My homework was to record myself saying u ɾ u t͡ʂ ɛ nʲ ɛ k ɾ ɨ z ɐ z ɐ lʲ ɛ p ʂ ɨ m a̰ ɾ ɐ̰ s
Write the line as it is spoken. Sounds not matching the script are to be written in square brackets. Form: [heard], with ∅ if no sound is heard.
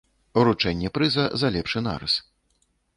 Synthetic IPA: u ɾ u t͡ʂ ɛ [nʲː] ɛ [p] ɾ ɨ z ɐ z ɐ lʲ ɛ p ʂ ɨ [n] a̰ ɾ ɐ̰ s